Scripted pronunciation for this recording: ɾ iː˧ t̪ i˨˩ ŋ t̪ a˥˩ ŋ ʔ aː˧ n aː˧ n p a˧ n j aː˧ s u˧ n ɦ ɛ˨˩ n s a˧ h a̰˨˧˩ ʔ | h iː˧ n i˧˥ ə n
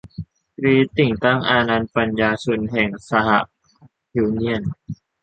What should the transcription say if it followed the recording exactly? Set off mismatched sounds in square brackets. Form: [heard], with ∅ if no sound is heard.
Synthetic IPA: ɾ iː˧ t̪ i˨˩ ŋ t̪ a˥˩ ŋ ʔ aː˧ n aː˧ n p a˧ n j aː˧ s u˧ n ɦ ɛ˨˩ [ŋ] s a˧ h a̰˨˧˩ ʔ | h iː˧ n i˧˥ ə n

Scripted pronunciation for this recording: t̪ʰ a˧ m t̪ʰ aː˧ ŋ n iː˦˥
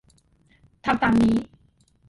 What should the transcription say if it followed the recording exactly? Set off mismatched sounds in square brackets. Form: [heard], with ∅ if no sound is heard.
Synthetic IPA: t̪ʰ a˧ m [t̪] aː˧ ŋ n iː˦˥

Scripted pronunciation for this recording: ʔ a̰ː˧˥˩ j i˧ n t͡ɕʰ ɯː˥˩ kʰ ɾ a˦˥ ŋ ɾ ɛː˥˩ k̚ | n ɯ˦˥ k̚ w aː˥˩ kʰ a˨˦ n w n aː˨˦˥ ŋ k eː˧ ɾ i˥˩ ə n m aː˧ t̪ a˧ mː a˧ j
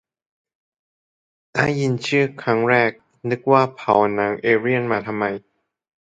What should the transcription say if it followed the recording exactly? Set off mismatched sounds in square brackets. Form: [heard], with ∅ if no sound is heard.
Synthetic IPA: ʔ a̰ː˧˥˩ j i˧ n t͡ɕʰ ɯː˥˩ kʰ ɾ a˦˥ ŋ ɾ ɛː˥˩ k̚ | n ɯ˦˥ k̚ w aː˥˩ [pʰ] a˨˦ [∅] w n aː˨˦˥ ŋ [ʔ] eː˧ ɾ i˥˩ ə n m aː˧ [t̪ʰ] a˧ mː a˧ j

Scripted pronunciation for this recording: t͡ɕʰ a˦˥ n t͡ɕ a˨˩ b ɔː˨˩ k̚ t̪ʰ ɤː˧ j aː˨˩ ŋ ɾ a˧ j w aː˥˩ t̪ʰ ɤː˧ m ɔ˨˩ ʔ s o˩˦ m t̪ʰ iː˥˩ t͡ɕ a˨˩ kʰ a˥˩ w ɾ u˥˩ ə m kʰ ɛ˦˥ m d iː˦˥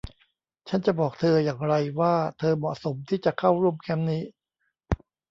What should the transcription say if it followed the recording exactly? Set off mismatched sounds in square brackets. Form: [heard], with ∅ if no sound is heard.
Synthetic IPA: t͡ɕʰ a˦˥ n t͡ɕ a˨˩ b ɔː˨˩ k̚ t̪ʰ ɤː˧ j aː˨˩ ŋ ɾ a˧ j w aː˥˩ t̪ʰ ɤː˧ m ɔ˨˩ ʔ s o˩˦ m t̪ʰ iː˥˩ t͡ɕ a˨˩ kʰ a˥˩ w ɾ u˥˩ ə m kʰ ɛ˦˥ m [n] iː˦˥

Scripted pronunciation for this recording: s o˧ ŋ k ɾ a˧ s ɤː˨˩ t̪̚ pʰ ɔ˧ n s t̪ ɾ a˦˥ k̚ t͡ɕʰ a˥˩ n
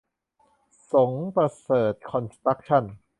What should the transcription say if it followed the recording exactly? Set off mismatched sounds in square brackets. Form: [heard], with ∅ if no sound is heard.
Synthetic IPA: s [o˩˦] ŋ [p] ɾ a˧ s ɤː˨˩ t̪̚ [kʰ] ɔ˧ n s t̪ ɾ a˦˥ k̚ t͡ɕʰ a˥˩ n

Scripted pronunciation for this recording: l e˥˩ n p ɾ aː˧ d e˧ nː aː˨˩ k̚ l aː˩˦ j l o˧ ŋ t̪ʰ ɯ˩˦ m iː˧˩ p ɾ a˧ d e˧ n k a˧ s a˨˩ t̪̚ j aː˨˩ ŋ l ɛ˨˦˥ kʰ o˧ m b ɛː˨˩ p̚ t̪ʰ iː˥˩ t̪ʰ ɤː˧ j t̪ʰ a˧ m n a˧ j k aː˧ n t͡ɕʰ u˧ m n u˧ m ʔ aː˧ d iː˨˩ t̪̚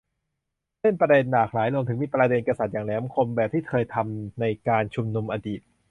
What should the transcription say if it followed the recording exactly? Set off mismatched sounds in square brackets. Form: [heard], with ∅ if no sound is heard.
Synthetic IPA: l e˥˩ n p ɾ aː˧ d e˧ nː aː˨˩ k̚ l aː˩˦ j l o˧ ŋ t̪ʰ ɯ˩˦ m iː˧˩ p ɾ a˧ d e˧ n k a˧ s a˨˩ t̪̚ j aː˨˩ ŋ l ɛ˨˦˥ kʰ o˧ m b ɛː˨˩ p̚ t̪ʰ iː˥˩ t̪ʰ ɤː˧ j t̪ʰ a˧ m n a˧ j k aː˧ n t͡ɕʰ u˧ m n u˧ m ʔ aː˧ d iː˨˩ t̪̚

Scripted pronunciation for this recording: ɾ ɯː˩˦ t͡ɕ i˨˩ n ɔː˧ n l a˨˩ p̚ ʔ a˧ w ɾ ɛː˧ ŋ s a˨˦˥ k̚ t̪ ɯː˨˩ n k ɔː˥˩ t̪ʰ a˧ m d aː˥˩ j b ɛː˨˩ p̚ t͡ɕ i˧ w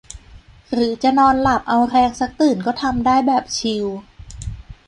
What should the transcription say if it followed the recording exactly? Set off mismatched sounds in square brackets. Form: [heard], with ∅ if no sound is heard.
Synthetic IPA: ɾ ɯː˩˦ t͡ɕ [a˨˩] n ɔː˧ n l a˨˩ p̚ ʔ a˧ w ɾ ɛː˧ ŋ s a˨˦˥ k̚ t̪ ɯː˨˩ n k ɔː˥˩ t̪ʰ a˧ m d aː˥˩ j b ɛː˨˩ p̚ [t͡ɕʰ] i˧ w

